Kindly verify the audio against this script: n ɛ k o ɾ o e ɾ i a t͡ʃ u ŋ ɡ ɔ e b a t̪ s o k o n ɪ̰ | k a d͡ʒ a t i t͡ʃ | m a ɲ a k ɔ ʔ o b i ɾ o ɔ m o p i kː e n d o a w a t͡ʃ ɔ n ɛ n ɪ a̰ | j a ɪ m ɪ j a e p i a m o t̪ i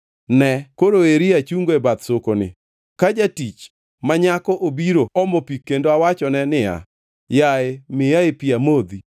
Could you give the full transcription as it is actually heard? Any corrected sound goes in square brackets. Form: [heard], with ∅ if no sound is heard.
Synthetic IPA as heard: n ɛ k o ɾ o e ɾ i a t͡ʃ u ŋ ɡ [o] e b a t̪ s o k o n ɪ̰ | k a d͡ʒ a t i t͡ʃ | m a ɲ a k ɔ ʔ o b i ɾ o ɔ m o p i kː e n d o a w a t͡ʃ ɔ n ɛ n ɪ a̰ | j a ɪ m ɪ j a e p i a m o [d̪] i

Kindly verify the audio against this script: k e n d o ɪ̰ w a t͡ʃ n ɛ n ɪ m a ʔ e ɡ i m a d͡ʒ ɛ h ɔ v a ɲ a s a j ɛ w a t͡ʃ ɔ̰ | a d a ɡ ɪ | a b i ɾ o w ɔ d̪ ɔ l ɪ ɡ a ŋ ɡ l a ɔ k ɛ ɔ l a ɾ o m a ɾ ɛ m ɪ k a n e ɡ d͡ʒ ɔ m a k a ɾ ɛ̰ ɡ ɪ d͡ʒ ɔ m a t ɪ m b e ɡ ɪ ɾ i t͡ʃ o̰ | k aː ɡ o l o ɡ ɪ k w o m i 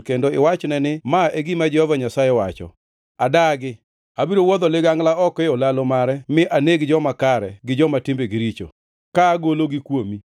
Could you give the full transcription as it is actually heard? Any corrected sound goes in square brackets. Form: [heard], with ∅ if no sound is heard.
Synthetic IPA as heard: k e n d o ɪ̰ w a t͡ʃ n ɛ n ɪ m a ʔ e ɡ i m a d͡ʒ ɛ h ɔ v a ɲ a s a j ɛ w a t͡ʃ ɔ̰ | a d a ɡ ɪ | a b i ɾ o w ɔ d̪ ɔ l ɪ ɡ a ŋ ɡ l a ɔ k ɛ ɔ l a [l] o m a ɾ ɛ m ɪ [ʔ] a n e ɡ d͡ʒ ɔ m a k a ɾ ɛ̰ ɡ ɪ d͡ʒ ɔ m a t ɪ m b e ɡ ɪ ɾ i t͡ʃ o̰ | k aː ɡ o l o ɡ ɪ k w o m i

